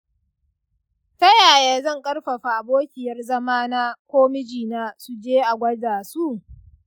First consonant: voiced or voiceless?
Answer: voiceless